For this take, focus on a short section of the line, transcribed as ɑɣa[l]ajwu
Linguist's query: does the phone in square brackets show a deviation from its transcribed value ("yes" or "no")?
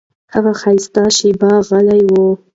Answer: no